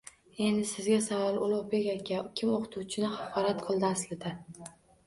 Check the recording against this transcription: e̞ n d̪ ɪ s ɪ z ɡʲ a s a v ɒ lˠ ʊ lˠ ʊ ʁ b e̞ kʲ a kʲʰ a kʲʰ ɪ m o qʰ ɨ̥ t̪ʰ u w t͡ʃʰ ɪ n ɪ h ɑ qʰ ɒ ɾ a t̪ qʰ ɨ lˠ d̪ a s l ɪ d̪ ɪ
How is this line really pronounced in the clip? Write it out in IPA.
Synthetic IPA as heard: e̞ n d̪ ɪ s ɪ z ɡʲ a s a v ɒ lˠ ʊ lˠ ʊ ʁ b e̞ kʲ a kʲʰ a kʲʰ ɪ m o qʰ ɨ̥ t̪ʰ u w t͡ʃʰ ɪ n ɪ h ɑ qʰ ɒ ɾ a t̪ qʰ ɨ lˠ d̪ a s l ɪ d̪ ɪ